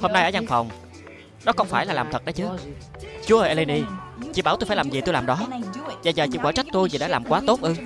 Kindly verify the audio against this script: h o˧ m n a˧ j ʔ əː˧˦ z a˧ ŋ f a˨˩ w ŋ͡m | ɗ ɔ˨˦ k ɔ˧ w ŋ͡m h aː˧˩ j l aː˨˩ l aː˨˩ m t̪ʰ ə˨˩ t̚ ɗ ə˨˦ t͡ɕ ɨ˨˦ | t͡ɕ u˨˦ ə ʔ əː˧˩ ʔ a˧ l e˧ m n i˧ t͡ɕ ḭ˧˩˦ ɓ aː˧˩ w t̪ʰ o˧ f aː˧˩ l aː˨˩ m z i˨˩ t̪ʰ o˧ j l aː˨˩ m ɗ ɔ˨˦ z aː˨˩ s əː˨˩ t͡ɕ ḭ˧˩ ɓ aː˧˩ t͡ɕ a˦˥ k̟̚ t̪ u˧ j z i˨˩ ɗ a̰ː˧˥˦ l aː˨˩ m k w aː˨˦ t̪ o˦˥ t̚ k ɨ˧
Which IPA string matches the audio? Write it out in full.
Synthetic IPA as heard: h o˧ m n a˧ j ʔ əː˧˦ z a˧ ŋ f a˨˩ w ŋ͡m | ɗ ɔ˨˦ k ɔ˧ w ŋ͡m f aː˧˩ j l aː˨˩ l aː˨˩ m t̪ʰ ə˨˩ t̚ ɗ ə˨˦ t͡ɕ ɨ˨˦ | t͡ɕ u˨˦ ə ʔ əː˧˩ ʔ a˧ l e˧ n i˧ t͡ɕ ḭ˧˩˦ ɓ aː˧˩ w t̪ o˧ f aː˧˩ l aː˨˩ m z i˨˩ t̪ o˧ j l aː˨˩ m ɗ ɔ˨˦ z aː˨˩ z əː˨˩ t͡ɕ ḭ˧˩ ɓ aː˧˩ t͡ɕ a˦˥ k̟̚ t̪ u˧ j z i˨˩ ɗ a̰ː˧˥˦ l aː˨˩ m k w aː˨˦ t̪ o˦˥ t̚ ʔ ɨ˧